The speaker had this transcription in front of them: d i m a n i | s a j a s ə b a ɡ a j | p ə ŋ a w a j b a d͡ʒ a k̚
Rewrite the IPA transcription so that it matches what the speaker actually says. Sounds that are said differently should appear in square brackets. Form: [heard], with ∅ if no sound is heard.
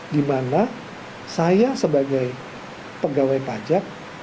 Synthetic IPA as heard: d i m a n [a] | s a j a s ə b a ɡ a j | p ə [ɡ] a w a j [p] a d͡ʒ a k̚